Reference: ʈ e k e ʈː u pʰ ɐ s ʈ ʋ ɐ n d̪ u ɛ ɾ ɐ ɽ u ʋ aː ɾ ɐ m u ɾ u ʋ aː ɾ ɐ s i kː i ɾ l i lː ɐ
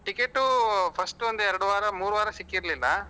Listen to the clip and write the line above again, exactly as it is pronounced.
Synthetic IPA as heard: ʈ i k e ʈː u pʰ ɐ s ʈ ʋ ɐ n d̪ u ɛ ɾ ɐ ɽ u ʋ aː ɾ ɐ m uː ɾ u ʋ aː ɾ ɐ s i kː i ɾ l i lː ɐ